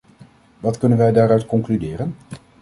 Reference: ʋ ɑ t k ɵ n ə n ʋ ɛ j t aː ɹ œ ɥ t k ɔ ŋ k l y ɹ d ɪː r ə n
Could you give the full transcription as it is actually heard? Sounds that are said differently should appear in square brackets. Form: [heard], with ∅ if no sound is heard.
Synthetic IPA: ʋ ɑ t k ɵ n ə n ʋ ɛ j [d] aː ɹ œ ɥ t k ɔ ŋ k l y [∅] d ɪː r ə n